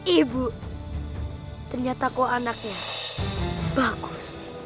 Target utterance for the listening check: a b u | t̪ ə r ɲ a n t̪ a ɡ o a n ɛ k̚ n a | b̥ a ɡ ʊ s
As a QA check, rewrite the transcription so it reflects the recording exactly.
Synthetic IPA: i b u | t̪ ə r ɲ a t̪ a k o a n a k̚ ɲ a | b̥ a ɡ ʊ s